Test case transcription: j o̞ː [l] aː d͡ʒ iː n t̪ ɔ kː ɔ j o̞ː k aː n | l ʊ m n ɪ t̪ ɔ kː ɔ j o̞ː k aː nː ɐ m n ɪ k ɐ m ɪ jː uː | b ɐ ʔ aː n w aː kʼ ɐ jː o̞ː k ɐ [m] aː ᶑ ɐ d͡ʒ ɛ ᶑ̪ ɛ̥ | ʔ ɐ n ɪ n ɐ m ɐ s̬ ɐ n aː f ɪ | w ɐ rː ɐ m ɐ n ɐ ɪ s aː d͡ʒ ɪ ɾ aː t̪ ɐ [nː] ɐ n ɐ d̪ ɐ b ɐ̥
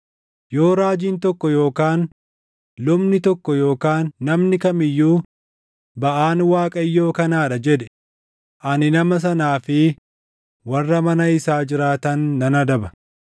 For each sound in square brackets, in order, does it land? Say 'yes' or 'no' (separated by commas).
no, no, yes